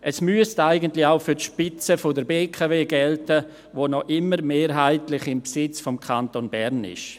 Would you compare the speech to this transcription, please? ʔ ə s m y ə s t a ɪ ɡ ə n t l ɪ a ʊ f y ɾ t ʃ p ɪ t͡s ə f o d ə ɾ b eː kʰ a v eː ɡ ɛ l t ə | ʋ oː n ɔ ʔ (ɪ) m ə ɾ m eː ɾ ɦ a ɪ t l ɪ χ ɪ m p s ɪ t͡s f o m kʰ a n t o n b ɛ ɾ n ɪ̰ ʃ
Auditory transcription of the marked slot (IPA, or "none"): ɪ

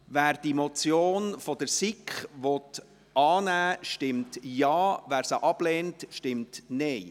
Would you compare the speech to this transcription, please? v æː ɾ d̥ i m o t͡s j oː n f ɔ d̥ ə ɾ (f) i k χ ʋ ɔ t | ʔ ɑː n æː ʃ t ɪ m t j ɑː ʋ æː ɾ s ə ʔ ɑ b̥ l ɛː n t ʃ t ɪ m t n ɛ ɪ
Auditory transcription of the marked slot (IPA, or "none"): s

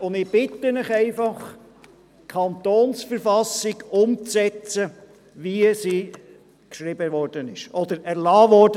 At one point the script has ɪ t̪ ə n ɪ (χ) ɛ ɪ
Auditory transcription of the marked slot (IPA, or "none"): χ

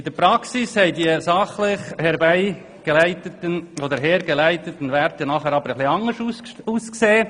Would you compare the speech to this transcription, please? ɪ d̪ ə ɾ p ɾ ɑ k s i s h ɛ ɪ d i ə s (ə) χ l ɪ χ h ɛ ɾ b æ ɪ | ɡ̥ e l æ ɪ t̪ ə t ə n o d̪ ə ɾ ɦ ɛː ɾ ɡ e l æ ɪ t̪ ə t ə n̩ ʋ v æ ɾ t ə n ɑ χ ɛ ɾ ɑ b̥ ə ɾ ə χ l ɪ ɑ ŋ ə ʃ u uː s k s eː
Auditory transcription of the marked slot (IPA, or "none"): ɑ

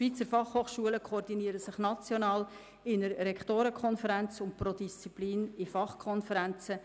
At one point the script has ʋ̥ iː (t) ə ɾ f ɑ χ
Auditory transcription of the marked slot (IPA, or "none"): t͡s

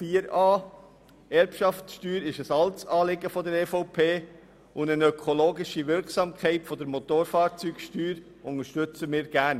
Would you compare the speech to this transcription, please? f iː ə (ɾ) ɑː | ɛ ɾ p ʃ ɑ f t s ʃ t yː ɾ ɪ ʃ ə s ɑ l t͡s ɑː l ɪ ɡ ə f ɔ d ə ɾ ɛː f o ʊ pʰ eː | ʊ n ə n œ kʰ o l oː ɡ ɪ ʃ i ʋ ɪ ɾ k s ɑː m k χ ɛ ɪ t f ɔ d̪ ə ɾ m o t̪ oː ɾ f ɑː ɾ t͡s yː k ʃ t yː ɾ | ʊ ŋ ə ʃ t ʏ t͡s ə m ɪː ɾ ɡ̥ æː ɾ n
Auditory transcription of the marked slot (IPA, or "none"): ɾ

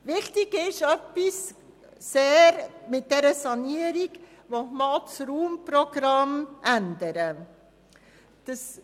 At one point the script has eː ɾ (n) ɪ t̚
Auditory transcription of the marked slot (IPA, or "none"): m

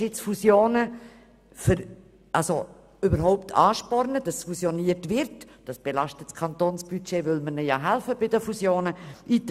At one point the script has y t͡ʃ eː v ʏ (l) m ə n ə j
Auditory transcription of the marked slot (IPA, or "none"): l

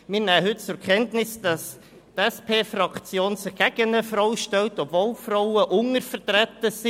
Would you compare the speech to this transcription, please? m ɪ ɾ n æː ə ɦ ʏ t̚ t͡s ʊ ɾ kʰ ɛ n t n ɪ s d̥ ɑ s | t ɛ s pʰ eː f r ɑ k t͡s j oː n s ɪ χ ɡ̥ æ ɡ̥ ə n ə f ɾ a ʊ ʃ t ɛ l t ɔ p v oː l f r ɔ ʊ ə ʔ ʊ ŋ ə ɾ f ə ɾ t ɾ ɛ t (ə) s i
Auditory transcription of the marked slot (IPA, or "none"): ə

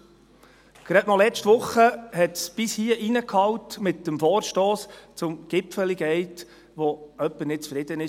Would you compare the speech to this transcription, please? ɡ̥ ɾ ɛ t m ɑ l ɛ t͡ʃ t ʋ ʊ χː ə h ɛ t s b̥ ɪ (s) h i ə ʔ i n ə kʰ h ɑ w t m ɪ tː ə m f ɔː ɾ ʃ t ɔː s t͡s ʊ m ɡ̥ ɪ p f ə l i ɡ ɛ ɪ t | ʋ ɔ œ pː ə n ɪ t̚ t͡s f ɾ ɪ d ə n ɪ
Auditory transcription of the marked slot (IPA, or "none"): s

